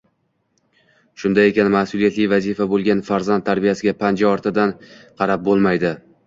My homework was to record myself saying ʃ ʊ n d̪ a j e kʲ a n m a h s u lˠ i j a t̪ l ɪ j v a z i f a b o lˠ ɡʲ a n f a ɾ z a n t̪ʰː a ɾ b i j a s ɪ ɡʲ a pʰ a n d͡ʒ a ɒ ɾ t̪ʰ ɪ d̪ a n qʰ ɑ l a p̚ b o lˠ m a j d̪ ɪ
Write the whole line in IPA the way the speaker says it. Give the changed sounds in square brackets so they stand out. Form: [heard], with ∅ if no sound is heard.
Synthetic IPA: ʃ ʊ n d̪ a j e kʲ a n m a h s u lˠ i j a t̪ l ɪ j v a z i f a b o lˠ ɡʲ a n f a ɾ z a n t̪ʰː a ɾ b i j a s ɪ ɡʲ a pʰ a n d͡ʒ a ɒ ɾ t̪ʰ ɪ d̪ a n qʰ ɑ [ɾ] a p̚ b o lˠ m a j d̪ ɪ